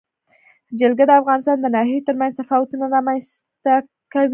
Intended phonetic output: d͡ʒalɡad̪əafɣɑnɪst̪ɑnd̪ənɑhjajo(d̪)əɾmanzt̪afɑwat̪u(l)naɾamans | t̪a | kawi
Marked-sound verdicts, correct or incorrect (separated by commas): incorrect, incorrect